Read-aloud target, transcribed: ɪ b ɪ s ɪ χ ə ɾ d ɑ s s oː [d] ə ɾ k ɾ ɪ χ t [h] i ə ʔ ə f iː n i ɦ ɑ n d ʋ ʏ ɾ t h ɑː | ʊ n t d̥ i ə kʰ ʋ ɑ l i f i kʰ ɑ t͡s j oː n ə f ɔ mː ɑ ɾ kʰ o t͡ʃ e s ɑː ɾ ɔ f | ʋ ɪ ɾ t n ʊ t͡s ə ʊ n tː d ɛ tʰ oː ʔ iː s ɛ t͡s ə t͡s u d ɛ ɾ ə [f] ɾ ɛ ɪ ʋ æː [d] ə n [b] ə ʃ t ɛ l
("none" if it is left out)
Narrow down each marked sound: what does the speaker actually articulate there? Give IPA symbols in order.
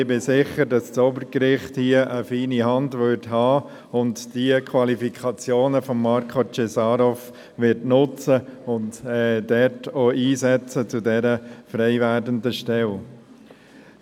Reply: b, h, f, d, d

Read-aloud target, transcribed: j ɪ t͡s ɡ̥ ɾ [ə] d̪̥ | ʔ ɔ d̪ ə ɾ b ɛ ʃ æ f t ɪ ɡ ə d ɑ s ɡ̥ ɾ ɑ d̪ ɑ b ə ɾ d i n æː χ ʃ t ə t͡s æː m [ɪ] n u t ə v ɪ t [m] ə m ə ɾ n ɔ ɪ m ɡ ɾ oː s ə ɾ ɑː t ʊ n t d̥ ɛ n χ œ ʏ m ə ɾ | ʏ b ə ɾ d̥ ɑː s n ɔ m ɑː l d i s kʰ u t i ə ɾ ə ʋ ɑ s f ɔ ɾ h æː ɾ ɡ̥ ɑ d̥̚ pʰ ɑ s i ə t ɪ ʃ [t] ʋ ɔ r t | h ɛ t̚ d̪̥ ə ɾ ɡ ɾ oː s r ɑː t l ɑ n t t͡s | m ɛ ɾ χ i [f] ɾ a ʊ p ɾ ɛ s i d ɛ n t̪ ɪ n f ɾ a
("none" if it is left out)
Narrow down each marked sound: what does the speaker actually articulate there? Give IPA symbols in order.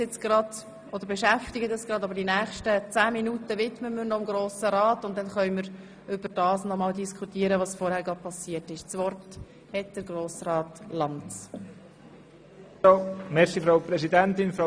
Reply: ɑ, i, m, t͡s, f

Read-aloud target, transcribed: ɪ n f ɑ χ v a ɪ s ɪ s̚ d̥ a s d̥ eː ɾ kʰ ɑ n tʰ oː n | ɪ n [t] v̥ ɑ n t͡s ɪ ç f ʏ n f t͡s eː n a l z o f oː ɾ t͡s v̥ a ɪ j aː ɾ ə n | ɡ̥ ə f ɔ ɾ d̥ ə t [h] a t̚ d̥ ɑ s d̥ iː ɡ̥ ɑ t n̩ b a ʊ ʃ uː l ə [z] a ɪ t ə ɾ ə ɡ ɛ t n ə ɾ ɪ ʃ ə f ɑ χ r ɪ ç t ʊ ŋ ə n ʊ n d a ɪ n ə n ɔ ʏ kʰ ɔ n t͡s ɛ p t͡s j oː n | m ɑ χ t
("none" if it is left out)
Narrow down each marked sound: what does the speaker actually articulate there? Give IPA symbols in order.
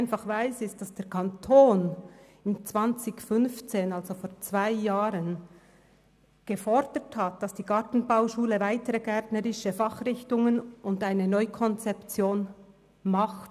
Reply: t͡s, h, v

